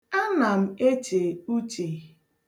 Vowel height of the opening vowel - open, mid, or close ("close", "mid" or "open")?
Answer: open